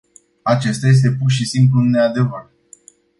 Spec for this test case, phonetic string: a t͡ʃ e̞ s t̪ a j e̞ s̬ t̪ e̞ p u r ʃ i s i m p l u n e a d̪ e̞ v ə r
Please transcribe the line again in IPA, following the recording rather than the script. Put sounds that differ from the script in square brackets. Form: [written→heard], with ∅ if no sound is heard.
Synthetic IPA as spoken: a t͡ʃ e̞ s t̪ a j e̞ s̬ t̪ e̞ p u r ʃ i s i m p l u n e a d̪ e̞ v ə r